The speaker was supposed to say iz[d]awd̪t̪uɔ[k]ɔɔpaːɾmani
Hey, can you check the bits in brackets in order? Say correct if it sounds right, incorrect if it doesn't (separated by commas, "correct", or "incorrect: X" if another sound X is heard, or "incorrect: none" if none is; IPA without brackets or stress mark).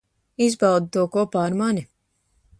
incorrect: b, correct